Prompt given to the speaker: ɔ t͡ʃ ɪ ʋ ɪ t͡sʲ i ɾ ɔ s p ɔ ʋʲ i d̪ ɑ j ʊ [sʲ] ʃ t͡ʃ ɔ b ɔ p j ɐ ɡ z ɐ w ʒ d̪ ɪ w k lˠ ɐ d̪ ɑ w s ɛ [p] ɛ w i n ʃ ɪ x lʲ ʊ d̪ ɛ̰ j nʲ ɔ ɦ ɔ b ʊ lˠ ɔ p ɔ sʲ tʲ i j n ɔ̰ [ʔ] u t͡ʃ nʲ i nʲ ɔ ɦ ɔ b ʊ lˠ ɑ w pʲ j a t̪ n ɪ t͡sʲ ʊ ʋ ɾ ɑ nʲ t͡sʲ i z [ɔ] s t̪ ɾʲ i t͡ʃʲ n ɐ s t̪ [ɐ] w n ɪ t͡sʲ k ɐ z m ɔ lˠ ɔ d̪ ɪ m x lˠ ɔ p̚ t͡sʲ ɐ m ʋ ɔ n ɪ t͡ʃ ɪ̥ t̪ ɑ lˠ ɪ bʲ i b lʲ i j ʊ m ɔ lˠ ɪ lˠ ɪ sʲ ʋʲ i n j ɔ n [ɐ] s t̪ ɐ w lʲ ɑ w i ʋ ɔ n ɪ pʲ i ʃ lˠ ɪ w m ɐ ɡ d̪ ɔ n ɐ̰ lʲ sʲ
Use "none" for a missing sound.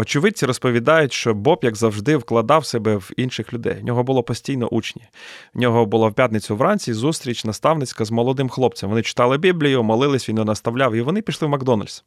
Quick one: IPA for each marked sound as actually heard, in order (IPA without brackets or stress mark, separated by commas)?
tʲ, b, ʔ, u, ɑ, ɐ